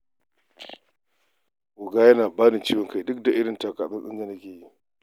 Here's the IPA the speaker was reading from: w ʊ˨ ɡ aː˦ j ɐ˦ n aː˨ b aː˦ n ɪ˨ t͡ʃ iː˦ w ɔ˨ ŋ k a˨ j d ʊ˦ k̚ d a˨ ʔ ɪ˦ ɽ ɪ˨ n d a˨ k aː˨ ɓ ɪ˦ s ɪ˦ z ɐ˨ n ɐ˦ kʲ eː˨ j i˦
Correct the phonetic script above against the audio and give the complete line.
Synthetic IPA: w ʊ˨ ɡ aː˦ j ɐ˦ n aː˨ b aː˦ n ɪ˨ t͡ʃ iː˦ w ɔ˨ ŋ k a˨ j d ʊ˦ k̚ d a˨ ʔ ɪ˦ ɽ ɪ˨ n t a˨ k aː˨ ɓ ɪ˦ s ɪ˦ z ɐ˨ n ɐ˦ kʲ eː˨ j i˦

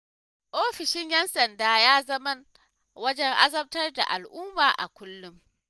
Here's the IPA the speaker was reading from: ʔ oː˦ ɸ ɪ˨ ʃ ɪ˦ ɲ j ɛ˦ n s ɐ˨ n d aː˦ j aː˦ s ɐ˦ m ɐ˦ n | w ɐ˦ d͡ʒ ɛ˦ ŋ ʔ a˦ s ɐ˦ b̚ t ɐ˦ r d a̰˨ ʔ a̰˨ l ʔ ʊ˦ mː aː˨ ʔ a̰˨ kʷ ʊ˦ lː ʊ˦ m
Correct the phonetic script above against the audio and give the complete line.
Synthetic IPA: ʔ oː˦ ɸ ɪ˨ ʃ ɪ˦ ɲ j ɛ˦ n s ɐ˨ n d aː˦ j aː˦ z ɐ˦ m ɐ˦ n | w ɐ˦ d͡ʒ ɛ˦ ŋ ʔ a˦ z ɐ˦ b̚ t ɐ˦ r d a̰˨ ʔ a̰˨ l ʔ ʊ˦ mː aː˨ ʔ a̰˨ kʷ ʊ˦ lː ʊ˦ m

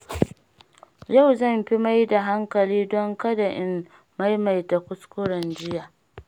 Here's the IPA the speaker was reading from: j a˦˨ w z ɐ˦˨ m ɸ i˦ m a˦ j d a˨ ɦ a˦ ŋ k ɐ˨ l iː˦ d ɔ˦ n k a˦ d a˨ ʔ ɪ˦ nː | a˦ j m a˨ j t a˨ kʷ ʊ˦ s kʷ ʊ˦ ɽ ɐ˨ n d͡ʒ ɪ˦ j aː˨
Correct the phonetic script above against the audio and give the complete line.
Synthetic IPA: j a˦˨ w z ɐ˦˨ m ɸ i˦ m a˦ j d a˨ ɦ a˦ ŋ k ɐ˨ l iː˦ d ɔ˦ ŋ k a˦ d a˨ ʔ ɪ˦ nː | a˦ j m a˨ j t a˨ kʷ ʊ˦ s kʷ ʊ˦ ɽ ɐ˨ n d͡ʒ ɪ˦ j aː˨

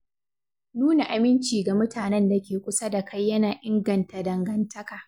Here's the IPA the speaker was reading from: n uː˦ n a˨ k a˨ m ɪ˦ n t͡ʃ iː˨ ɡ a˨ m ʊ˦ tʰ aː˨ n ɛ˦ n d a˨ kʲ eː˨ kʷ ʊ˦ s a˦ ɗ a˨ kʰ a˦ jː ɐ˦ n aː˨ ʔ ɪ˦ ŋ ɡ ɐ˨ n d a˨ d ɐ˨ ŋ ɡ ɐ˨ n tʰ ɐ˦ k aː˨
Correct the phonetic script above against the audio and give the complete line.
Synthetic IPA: n uː˦ n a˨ ʔ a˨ m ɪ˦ n t͡ʃ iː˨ ɡ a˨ m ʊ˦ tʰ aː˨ n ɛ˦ n d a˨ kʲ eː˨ kʷ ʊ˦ s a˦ d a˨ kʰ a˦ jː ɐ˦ n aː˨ ʔ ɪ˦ ŋ ɡ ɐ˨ n t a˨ d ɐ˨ ŋ ɡ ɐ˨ n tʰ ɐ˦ k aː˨

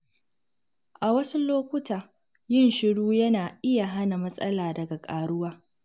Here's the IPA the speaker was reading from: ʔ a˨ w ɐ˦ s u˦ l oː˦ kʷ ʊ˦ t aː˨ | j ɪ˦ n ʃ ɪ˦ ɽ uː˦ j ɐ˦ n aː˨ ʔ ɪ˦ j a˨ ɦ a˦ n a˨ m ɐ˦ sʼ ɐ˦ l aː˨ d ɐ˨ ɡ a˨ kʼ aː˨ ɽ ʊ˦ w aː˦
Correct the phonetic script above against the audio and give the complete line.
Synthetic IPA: ʔ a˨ w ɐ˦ s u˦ l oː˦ kʷ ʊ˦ t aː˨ | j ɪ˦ n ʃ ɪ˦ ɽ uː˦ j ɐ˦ n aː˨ ʔ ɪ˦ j a˨ ɦ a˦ n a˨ m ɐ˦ sʼ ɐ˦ l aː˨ d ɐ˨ ɡ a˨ kʼ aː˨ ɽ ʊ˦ w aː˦

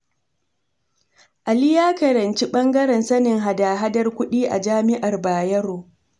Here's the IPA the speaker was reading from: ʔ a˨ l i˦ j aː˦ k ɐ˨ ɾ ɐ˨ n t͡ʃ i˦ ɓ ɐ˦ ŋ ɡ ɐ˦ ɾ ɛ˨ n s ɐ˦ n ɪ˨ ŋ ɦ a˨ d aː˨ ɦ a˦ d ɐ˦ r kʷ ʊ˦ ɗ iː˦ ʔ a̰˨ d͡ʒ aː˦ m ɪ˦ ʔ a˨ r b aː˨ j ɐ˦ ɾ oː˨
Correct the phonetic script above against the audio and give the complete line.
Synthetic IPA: ʔ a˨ l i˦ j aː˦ k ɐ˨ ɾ ɐ˨ n t͡ʃ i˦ ɓ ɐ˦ ŋ ɡ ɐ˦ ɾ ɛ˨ n s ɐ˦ n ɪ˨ ŋ ɦ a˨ d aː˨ ɦ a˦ d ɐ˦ r kʷ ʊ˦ ɗ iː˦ ʔ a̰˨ d͡ʒ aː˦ m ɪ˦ ʔ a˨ r b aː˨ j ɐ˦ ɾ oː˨

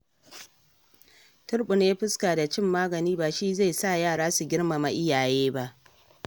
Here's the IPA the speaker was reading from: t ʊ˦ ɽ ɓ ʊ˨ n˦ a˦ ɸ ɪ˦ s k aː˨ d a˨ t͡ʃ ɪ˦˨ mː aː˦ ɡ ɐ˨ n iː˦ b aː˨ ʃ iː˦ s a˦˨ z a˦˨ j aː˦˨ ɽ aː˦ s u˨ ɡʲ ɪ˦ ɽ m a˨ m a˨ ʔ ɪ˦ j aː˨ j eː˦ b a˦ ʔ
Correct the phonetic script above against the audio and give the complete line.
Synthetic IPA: t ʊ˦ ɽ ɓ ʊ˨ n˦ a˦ ɸ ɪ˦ s k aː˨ d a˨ t͡ʃ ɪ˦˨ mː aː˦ ɡ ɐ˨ n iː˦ b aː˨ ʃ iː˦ z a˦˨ s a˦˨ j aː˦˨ ɽ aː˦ s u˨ ɡʲ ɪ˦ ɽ m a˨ m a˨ ʔ ɪ˦ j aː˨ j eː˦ b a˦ ʔ

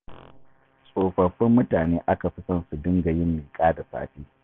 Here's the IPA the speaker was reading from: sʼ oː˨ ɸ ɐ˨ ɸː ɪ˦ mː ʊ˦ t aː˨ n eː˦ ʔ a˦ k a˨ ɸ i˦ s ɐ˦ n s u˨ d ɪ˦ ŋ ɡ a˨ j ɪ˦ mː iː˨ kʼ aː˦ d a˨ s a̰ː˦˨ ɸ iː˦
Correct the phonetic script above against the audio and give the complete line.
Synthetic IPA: sʼ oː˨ ɸ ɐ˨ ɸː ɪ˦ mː ʊ˦ t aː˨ n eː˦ ʔ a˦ k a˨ ɸ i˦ s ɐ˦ n s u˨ d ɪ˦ ŋ ɡ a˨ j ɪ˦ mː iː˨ kʼ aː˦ d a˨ s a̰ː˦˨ ɸ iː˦

